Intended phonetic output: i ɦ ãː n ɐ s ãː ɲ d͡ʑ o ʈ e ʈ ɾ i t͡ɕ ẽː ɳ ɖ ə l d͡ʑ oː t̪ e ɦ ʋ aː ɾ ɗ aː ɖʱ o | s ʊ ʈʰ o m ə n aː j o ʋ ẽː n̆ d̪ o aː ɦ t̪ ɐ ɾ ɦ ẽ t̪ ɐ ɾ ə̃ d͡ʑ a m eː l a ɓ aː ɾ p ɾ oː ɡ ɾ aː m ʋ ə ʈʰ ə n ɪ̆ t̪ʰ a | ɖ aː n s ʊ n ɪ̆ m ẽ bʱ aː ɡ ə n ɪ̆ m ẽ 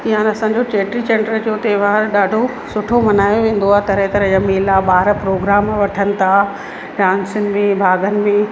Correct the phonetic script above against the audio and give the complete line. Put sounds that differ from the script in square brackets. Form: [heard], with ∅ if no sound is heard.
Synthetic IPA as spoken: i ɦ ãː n ɐ s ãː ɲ d͡ʑ o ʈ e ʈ ɾ i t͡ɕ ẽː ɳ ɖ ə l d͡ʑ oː t̪ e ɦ ʋ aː ɾ ɗ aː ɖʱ o | s ʊ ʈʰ o m [ɐ] n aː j o ʋ ẽː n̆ d̪ o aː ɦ t̪ ɐ ɾ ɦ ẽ t̪ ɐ ɾ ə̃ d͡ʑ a m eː l a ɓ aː ɾ p ɾ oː ɡ ɾ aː m ʋ [ɐ] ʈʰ ə n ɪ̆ t̪ʰ a | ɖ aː n s ʊ n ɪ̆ m ẽ bʱ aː ɡ ə n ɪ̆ m ẽ